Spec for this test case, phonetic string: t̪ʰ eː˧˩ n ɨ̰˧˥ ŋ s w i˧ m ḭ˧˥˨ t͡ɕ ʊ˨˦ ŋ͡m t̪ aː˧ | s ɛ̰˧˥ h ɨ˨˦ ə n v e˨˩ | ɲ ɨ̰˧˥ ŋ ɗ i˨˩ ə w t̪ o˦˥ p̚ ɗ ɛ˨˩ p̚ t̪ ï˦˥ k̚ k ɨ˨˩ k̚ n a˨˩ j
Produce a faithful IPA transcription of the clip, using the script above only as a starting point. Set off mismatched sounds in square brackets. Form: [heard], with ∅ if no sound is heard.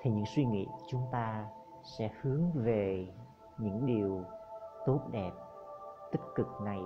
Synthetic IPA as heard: t̪ʰ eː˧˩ [ɲ] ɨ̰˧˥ ŋ s w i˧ [ŋ] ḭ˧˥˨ t͡ɕ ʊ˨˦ ŋ͡m t̪ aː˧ | s ɛ̰˧˥ h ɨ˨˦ ə [ŋ] v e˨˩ | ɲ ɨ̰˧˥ ŋ ɗ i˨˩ ə w t̪ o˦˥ [t̚] ɗ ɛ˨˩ p̚ t̪ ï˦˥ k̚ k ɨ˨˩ k̚ n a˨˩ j